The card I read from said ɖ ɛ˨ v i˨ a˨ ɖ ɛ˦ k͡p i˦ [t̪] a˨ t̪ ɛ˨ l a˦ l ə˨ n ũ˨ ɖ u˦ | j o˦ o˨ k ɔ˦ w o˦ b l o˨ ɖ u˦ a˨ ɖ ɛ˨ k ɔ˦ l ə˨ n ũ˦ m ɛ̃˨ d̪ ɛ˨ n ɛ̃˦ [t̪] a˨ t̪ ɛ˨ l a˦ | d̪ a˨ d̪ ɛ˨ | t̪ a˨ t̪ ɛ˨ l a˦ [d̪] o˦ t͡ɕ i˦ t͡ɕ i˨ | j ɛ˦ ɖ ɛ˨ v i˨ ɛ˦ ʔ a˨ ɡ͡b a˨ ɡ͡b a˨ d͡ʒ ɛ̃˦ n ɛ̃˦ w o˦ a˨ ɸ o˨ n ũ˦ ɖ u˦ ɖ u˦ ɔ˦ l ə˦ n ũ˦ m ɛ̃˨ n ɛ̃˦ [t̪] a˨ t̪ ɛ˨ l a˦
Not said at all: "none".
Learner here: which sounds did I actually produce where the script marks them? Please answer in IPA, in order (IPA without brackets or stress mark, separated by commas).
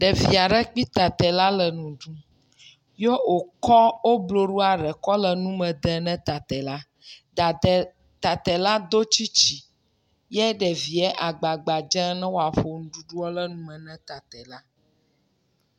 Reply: t̪, t̪, d̪, t̪